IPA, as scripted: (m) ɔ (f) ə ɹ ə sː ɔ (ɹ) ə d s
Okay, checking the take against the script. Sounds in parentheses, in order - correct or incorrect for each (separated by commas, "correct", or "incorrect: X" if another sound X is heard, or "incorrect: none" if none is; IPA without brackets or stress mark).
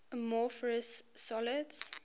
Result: correct, correct, incorrect: l